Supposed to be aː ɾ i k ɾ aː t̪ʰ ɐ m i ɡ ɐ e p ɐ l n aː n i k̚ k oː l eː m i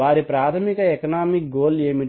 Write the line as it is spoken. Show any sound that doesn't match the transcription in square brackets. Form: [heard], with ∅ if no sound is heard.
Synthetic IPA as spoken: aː ɾ i [p] ɾ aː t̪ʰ ɐ m i [k] ɐ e [k] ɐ [∅] n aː [m] i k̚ [ɡ] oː l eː m i